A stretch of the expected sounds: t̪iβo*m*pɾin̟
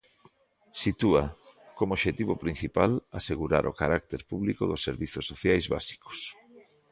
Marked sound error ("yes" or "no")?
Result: yes